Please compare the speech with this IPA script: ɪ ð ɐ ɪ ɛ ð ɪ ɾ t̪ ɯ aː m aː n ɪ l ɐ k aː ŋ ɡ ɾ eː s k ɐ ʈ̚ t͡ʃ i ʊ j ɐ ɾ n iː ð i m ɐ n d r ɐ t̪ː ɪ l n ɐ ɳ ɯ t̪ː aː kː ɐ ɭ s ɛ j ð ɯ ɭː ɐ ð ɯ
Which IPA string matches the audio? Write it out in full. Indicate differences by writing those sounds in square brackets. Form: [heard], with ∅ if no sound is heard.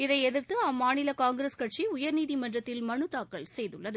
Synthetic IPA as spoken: ɪ ð ɐ ɪ ɛ ð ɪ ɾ t̪ ɯ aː m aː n ɪ l ɐ k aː ŋ ɡ ɾ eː s k ɐ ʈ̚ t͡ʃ i ʊ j ɐ ɾ n iː ð i m ɐ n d r ɐ t̪ː ɪ l [m] ɐ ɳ ɯ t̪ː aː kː ɐ ɭ s ɛ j ð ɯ ɭː ɐ ð ɯ